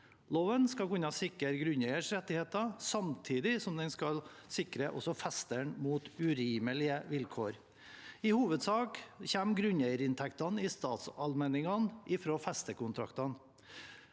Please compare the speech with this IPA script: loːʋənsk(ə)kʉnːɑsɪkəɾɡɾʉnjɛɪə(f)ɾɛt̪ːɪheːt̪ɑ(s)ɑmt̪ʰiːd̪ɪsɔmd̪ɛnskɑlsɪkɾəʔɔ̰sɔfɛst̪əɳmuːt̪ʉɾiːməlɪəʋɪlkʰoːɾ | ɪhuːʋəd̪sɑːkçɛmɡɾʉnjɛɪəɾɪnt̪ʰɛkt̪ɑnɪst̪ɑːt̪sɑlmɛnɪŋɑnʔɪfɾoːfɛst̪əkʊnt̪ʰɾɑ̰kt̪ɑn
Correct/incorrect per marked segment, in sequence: incorrect, incorrect, correct

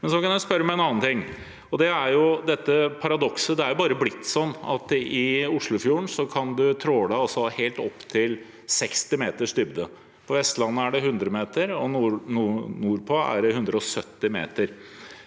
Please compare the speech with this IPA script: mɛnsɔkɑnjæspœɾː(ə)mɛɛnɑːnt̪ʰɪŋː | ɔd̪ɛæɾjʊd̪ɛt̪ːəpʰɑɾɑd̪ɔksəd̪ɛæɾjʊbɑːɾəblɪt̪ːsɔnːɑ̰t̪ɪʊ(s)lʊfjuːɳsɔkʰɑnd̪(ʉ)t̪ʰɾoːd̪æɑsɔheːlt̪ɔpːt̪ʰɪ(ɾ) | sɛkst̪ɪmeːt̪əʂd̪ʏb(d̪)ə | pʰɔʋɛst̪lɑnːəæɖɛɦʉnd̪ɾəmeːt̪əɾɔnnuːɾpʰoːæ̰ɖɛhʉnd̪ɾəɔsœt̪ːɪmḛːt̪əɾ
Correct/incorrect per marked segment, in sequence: correct, incorrect, correct, incorrect, correct

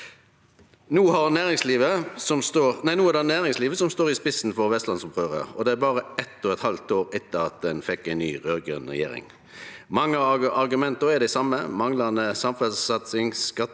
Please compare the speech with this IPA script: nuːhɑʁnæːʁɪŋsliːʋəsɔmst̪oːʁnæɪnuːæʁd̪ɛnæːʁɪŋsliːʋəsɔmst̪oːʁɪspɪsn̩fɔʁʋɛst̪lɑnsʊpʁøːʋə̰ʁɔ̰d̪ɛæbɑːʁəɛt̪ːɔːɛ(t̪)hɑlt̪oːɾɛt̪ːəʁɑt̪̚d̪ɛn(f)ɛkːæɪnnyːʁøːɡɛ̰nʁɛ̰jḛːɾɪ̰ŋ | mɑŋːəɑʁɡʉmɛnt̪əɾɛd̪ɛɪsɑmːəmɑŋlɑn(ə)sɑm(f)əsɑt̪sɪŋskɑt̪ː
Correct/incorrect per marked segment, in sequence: correct, correct, correct, correct

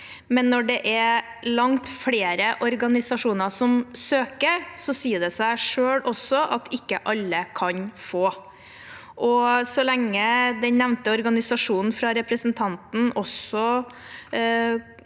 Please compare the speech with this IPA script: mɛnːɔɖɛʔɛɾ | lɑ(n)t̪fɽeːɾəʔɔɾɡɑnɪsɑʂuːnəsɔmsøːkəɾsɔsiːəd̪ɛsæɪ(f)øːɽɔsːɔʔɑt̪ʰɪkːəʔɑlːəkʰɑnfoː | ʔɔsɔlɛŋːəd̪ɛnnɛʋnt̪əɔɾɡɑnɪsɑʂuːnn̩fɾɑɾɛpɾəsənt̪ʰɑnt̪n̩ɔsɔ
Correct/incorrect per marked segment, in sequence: incorrect, incorrect

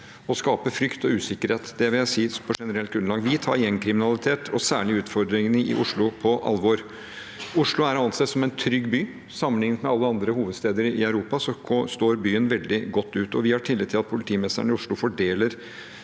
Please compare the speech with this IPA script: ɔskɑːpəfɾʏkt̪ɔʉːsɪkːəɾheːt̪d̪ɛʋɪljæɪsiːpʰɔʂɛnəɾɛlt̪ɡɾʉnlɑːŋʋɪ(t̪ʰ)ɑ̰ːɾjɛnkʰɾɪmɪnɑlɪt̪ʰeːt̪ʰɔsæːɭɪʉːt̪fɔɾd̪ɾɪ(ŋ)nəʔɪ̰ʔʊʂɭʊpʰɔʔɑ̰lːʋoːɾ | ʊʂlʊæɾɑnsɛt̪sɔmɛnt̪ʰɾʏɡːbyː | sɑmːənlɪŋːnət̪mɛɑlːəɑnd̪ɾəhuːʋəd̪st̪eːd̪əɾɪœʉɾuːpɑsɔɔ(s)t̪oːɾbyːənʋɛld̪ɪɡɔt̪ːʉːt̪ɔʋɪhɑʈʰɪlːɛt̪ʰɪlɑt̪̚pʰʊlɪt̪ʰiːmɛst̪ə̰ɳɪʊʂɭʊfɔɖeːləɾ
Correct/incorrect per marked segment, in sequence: correct, correct, correct

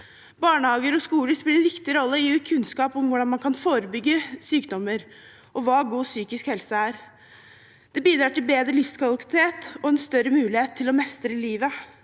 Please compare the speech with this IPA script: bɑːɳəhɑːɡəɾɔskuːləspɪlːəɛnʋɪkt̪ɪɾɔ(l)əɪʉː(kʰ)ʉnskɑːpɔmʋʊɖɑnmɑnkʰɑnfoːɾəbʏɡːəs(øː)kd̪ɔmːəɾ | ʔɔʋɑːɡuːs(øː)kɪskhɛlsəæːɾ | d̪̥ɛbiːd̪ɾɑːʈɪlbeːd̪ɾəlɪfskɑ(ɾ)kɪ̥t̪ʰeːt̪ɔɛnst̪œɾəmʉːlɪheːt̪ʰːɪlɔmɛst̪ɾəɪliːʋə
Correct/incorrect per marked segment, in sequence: incorrect, correct, incorrect, incorrect, incorrect

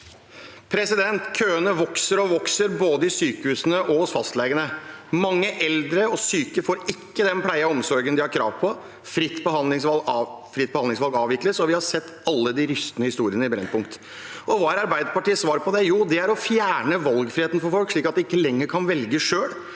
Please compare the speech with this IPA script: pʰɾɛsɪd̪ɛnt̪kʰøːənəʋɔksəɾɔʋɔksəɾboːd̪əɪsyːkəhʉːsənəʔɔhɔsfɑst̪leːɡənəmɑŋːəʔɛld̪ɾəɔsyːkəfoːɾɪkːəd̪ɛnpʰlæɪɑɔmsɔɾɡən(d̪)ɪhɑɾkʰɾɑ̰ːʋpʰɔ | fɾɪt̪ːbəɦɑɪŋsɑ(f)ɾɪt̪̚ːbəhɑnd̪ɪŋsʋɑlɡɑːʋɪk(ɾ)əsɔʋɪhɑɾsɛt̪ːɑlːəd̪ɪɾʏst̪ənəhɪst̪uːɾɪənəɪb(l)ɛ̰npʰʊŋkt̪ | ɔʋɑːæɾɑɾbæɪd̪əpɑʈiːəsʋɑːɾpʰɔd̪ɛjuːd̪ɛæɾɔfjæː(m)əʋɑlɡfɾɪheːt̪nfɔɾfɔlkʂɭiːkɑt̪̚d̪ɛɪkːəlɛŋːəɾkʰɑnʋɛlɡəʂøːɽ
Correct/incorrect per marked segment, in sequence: correct, correct, incorrect, incorrect, incorrect

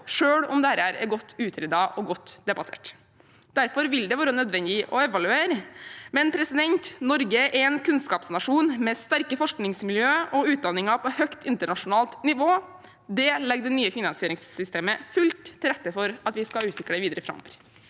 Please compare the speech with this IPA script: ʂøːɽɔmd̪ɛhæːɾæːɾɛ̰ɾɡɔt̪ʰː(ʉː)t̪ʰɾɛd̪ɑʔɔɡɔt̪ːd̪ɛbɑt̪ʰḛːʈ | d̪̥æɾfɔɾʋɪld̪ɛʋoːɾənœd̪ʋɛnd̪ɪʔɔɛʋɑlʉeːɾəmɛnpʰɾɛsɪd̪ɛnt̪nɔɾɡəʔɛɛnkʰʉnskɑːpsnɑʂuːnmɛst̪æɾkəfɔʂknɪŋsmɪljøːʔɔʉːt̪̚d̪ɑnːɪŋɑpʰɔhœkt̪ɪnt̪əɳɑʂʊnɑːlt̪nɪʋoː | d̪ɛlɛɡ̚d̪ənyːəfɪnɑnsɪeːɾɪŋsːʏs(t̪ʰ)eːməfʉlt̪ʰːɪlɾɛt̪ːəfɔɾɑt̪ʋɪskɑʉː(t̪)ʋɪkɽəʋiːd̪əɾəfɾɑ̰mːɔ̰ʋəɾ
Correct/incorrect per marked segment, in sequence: correct, incorrect, correct

